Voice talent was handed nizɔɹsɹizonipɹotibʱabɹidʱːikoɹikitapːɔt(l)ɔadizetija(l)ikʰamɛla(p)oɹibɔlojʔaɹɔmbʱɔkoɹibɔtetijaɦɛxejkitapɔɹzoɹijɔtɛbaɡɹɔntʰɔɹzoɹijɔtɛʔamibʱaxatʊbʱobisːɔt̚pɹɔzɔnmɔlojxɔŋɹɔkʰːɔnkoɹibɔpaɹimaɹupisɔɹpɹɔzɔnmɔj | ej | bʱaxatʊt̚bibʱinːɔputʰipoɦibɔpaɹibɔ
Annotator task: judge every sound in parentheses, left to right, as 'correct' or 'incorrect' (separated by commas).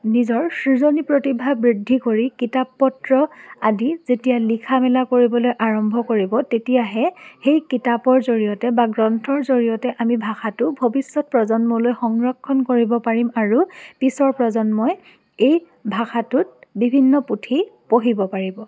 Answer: incorrect, correct, incorrect